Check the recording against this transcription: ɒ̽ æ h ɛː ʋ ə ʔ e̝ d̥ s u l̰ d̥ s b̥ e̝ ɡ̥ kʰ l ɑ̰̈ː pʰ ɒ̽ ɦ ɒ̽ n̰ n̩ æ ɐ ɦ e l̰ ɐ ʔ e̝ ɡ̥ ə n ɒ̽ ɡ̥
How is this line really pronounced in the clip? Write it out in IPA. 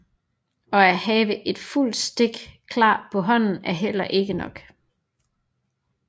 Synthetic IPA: ɒ̽ æ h ɛː ʋ ə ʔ e̝ d̥ f u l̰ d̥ s d̥ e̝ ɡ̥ kʰ l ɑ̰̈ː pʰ ɒ̽ ɦ ɒ̽ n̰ n̩ æ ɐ ɦ e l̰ ɐ ʔ e̝ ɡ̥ ə n ɒ̽ ɡ̥